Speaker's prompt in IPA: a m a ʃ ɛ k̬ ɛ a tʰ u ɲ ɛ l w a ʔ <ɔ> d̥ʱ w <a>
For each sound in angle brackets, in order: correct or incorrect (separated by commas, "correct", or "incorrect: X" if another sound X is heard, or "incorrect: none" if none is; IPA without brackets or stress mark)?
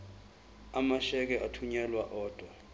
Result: incorrect: ɔː, correct